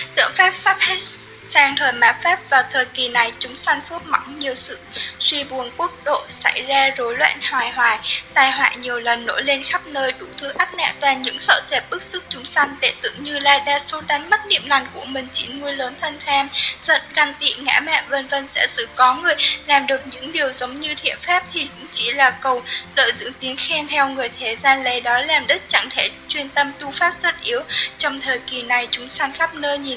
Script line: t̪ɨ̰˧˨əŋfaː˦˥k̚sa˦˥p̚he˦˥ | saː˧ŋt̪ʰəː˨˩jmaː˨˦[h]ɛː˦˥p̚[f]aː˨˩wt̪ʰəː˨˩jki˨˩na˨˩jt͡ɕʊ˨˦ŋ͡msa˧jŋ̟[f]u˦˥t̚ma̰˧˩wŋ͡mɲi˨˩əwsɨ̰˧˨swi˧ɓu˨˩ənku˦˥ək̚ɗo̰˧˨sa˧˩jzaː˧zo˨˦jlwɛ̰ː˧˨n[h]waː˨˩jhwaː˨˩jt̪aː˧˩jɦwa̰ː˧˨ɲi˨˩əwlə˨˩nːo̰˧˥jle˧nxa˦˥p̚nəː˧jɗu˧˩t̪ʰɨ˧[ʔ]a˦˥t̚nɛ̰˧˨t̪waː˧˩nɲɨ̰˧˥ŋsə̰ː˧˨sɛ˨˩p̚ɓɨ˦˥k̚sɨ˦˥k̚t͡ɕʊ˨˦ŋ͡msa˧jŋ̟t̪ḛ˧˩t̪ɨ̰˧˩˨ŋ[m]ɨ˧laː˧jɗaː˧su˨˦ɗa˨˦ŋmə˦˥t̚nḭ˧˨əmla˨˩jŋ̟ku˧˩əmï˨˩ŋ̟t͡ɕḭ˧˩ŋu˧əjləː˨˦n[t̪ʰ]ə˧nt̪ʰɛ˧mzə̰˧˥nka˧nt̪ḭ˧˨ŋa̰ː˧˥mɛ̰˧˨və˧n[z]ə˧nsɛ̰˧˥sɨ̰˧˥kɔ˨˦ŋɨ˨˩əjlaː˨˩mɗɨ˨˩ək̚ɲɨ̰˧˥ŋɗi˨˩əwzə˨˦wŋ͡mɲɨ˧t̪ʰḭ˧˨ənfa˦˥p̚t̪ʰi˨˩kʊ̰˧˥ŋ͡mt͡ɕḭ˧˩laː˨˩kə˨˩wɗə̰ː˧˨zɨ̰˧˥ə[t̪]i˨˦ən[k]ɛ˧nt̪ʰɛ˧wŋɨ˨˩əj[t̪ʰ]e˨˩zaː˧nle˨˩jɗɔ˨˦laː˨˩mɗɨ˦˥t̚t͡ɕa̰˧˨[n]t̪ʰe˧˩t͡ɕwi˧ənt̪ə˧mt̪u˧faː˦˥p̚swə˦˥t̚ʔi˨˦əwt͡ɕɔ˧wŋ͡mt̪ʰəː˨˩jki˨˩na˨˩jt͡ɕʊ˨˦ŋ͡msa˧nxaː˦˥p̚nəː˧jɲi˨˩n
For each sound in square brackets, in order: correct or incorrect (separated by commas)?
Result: incorrect, incorrect, correct, correct, correct, incorrect, correct, incorrect, correct, incorrect, correct, incorrect